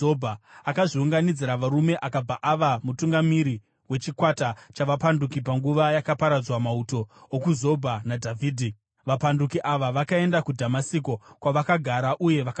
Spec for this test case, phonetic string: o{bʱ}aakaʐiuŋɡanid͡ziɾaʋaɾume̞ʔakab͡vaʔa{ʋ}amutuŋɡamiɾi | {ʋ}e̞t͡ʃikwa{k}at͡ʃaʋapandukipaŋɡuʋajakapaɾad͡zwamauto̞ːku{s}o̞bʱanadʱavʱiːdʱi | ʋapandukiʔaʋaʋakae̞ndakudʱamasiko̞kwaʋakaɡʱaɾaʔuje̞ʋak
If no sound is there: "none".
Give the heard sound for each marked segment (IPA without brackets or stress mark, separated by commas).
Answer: bʱ, ʋ, w, t, z